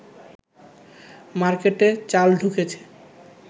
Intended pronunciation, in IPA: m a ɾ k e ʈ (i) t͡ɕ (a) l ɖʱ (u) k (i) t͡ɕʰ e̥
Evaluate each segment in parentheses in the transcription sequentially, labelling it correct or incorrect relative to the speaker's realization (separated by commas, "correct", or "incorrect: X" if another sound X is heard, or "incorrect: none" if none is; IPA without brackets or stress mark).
incorrect: e, correct, correct, incorrect: e